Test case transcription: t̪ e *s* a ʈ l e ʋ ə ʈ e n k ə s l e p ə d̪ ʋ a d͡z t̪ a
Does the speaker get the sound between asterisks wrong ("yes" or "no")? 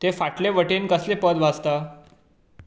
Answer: yes